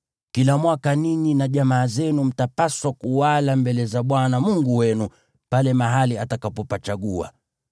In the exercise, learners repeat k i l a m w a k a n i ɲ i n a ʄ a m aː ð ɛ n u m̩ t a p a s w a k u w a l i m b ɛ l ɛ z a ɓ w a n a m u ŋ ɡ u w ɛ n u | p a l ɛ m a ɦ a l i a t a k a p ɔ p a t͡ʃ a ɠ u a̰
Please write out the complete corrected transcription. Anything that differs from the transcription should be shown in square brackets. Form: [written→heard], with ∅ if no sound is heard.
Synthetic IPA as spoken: k i l a m w a k a n i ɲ i n a ʄ a m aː [ð→z] ɛ n u m̩ t a p a s w a k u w a l [i→a] m b ɛ l ɛ z a ɓ w a n a m u ŋ ɡ u w ɛ n u | p a l ɛ m a ɦ a l i a t a k a p ɔ p a t͡ʃ a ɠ u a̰